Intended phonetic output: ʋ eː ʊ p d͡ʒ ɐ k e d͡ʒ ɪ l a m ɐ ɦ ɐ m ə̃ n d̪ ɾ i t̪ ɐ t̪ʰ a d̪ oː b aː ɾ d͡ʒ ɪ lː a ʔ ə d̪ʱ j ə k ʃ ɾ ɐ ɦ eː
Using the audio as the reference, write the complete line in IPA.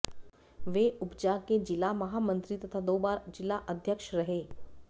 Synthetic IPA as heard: ʋ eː ʊ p d͡ʒ a k e d͡ʒ ɪ l a m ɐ ɦ a m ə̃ n t̪ ɾ i t̪ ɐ t̪ʰ a d̪ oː b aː ɾ d͡ʒ ɪ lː a ʔ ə d̪ʱ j ə k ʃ ɾ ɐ ɦ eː